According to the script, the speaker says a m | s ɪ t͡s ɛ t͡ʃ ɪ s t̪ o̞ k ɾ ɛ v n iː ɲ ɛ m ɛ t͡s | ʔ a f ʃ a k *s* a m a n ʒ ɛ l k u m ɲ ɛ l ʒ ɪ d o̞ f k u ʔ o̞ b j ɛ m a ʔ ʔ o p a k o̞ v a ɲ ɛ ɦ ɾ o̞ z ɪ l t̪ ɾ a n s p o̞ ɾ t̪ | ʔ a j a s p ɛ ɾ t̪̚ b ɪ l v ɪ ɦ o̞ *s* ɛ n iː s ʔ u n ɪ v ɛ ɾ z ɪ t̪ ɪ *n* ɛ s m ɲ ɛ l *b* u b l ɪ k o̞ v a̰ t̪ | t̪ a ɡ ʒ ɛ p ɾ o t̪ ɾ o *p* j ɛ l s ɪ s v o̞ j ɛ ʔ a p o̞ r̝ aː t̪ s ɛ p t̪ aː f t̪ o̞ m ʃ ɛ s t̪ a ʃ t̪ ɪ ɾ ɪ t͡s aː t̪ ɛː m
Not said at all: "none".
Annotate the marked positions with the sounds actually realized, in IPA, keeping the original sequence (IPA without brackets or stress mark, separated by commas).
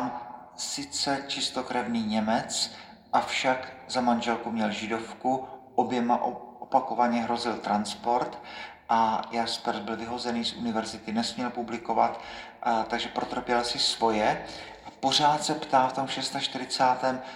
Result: z, z, n, p, p